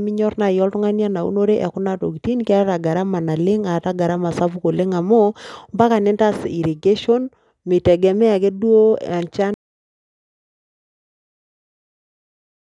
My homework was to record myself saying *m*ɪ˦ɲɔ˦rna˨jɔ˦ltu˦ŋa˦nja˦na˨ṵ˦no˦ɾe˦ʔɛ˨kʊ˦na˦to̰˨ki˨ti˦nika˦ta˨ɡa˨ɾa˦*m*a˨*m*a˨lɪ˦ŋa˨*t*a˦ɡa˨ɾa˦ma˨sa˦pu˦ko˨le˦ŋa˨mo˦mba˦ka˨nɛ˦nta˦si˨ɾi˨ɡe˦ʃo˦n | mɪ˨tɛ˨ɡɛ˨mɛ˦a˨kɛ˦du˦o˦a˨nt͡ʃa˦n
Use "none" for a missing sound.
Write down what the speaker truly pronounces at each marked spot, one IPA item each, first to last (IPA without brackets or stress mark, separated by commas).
m, m, n, t